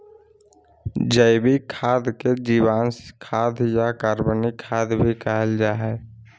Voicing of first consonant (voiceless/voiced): voiced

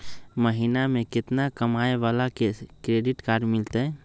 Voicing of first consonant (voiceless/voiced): voiced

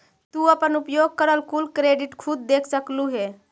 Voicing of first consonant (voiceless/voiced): voiceless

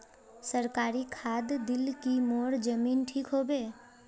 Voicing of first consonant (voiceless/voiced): voiceless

